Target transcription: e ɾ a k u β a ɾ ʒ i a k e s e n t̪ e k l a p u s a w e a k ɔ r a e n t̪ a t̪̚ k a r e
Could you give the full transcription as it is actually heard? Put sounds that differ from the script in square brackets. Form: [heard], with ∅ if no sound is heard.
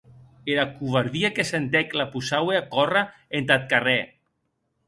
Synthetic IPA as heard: e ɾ a k u β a ɾ [ð] i a k e s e n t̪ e k l a p u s a w e a k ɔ r a e n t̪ a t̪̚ k a r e

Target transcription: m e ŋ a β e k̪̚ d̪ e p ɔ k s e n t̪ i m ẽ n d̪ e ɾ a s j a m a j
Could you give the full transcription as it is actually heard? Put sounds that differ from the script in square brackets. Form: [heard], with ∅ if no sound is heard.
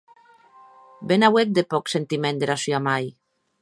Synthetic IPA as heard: [b] e [n] a [w] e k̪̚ d̪ e p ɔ k s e n t̪ i m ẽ n d̪ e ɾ a s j a m a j

